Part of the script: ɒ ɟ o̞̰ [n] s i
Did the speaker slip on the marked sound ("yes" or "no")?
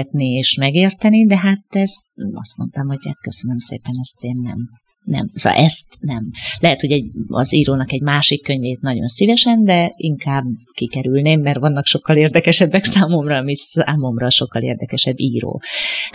no